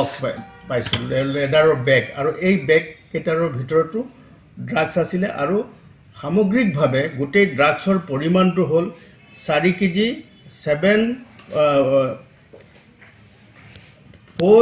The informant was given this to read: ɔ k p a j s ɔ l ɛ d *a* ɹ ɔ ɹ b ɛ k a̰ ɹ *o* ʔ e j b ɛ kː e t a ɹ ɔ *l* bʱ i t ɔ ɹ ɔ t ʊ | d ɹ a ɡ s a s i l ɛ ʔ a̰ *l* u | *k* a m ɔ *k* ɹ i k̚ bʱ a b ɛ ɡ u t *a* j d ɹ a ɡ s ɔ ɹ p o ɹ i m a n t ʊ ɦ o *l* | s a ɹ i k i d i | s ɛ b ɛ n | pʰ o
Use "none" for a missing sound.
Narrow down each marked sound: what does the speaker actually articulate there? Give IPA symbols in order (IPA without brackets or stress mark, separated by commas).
a, u, ɹ, ɹ, x, ɡ, e, l